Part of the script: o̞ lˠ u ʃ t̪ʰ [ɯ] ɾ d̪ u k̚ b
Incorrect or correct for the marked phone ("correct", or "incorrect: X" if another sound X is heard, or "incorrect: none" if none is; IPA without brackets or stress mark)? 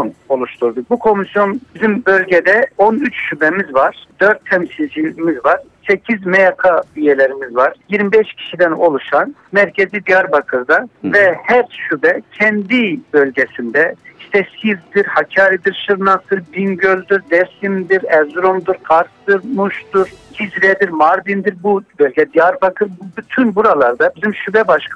incorrect: u